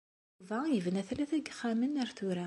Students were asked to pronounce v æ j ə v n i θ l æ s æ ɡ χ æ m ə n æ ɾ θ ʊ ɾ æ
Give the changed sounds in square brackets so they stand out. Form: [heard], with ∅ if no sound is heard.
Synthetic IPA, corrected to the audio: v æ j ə v n [æ] θ l æ [θ] æ ɡ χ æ m ə n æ ɾ θ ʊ ɾ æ